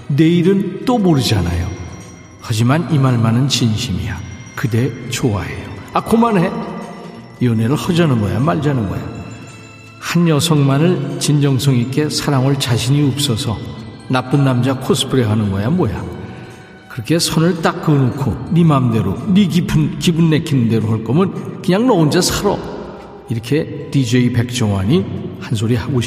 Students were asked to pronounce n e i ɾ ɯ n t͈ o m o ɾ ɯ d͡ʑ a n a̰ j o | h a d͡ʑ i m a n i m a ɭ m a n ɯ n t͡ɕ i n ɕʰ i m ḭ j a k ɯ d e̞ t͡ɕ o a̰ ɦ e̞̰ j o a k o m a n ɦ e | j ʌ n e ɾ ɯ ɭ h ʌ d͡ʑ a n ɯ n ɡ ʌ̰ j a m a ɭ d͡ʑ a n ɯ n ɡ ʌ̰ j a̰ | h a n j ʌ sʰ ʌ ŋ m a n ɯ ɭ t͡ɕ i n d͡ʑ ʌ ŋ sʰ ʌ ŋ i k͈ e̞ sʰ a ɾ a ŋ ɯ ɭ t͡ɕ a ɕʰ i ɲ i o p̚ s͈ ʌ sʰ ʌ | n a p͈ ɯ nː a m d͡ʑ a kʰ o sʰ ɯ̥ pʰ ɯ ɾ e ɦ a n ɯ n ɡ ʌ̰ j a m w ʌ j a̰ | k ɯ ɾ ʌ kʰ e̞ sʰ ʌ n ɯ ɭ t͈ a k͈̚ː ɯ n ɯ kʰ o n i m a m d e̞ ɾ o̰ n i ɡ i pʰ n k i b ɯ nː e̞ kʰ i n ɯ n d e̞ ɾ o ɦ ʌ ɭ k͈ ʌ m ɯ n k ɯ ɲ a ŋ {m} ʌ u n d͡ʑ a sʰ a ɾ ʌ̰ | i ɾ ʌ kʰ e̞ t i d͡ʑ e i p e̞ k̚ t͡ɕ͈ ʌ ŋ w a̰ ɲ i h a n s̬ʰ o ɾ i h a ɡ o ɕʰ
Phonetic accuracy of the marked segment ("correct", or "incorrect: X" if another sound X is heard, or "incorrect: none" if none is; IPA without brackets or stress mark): incorrect: n